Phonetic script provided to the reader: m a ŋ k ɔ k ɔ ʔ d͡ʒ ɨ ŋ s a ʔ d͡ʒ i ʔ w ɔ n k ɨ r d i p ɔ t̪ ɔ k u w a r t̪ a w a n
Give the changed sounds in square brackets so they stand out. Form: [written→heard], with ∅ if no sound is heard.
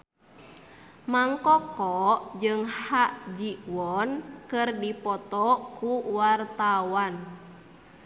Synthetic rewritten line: m a ŋ k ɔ k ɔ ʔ d͡ʒ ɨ ŋ [s→h] a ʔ d͡ʒ i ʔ w ɔ n k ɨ r d i p ɔ t̪ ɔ k u w a r t̪ a w a n